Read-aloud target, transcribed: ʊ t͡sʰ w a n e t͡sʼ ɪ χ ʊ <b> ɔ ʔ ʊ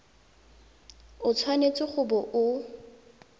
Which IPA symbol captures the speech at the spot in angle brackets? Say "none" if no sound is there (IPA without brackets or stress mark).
b